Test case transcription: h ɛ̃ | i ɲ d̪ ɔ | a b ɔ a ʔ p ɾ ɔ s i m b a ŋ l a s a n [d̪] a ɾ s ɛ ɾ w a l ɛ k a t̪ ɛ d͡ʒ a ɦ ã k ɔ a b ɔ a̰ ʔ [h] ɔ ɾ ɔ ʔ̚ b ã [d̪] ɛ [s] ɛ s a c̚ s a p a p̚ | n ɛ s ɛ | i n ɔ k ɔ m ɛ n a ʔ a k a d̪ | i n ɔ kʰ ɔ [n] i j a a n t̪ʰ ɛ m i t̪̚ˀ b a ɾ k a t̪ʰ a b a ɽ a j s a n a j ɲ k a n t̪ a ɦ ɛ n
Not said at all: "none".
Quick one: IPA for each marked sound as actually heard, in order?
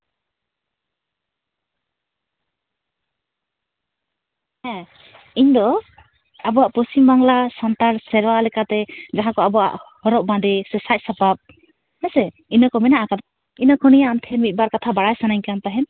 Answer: t̪, h, d̪, s, n

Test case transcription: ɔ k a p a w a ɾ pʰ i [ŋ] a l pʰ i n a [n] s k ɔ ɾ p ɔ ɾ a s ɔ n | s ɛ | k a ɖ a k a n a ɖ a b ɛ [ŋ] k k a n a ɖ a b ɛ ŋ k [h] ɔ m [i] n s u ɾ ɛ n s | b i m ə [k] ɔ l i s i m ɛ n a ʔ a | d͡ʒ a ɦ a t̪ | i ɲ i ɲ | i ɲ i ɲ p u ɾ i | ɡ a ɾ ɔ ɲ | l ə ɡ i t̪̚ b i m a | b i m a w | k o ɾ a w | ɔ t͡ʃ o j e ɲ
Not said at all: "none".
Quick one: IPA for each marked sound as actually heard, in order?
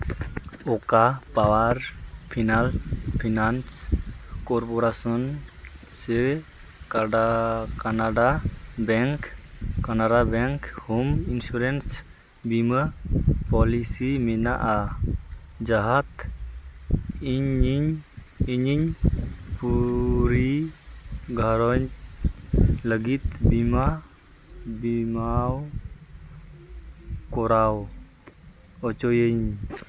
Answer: n, n, ŋ, h, i, p

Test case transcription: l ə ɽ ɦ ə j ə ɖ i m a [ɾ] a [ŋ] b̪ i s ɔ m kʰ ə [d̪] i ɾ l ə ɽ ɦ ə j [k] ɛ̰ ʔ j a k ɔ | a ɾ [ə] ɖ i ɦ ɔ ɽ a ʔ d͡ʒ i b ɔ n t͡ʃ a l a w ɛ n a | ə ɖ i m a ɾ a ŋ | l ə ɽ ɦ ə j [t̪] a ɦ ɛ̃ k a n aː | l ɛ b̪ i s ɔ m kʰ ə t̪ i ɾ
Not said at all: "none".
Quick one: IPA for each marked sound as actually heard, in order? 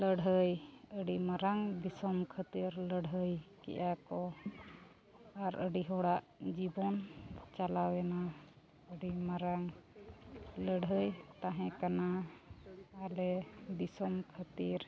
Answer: ɾ, ŋ, t̪, k, ə, t̪

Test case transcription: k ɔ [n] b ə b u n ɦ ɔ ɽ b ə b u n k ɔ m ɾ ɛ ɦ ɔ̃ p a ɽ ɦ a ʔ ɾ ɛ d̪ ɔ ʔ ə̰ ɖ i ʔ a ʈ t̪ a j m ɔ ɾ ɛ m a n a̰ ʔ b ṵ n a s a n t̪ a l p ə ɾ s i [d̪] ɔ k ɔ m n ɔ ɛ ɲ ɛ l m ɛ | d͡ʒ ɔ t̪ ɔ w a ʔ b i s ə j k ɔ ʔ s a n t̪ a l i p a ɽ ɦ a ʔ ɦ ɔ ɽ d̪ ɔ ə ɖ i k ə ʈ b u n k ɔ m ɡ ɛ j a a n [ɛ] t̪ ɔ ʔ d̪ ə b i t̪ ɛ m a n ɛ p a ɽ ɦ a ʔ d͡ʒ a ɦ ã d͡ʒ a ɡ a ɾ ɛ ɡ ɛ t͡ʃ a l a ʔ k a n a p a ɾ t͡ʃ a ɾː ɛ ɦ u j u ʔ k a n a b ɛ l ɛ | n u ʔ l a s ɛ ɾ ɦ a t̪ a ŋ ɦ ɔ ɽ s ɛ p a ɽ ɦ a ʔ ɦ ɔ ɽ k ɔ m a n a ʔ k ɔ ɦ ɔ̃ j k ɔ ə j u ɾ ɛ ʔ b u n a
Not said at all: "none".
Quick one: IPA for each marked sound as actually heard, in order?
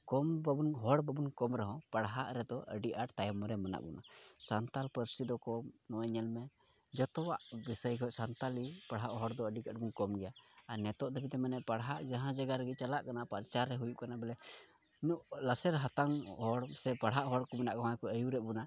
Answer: m, d̪, ɛ

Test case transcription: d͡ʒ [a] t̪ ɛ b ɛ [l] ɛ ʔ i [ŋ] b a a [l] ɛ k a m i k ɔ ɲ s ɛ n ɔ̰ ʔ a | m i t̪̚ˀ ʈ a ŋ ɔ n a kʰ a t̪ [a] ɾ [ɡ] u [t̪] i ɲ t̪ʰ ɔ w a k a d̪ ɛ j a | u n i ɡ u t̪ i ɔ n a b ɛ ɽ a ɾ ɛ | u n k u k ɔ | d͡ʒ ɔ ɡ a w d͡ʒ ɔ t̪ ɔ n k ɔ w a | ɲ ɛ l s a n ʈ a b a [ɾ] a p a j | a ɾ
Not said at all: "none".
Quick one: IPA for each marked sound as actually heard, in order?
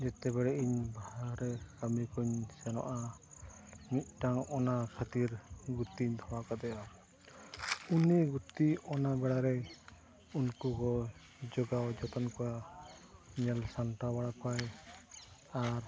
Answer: ɛ, ɽ, ɲ, ɾ, i, ɡ, t̪, ɽ

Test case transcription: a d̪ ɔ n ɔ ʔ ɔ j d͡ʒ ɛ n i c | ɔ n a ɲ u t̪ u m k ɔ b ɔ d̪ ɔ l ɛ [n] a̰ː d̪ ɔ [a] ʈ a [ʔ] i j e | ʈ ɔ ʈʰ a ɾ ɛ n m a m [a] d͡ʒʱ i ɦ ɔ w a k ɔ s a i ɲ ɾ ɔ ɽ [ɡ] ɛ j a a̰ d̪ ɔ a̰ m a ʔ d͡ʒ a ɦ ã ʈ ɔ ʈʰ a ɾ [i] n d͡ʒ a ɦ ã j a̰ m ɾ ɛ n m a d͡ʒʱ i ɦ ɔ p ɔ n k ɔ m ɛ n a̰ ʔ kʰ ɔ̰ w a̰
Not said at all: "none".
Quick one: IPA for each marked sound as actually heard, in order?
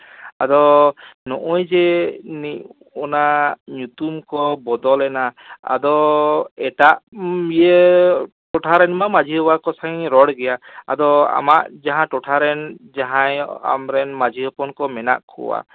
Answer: n, ɛ, ʔ, a, ɡ, ɛ

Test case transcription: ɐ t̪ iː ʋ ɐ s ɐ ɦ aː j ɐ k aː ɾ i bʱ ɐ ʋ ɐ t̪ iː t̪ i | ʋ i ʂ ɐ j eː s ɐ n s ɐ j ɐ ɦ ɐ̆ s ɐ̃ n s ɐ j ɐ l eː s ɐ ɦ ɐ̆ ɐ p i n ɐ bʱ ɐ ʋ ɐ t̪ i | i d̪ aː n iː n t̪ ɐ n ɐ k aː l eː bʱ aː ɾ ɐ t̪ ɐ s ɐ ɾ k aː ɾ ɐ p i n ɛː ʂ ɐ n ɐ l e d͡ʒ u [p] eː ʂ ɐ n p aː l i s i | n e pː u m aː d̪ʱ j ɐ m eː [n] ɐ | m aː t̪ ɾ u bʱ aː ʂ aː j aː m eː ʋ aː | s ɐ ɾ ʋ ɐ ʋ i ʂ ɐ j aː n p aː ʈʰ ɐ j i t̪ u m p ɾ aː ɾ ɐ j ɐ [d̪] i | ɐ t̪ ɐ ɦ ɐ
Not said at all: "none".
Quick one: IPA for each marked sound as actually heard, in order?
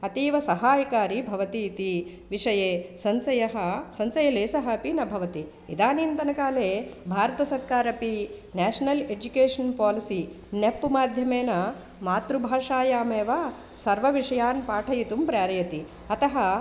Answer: k, n, t̪

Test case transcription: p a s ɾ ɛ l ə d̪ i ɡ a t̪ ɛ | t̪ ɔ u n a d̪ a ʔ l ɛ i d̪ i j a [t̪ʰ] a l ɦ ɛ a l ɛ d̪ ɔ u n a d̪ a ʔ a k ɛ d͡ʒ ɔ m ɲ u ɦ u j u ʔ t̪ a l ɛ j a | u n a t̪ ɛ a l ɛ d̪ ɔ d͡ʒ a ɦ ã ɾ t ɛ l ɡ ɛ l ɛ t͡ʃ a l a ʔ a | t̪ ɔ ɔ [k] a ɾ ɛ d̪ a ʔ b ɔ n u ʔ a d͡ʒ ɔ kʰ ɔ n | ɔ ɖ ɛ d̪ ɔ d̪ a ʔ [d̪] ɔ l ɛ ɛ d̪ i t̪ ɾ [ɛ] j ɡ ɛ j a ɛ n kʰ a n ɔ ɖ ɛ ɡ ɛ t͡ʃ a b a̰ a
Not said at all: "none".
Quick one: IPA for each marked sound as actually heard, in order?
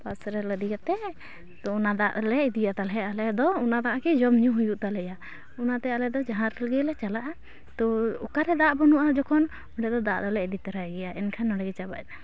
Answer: t̪, k, d̪, a

